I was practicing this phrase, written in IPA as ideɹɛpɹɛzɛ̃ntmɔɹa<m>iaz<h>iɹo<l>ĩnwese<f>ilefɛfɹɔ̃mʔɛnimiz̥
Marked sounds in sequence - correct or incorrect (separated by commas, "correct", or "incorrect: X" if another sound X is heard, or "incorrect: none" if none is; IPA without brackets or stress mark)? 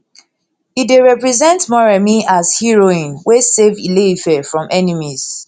correct, correct, incorrect: none, incorrect: v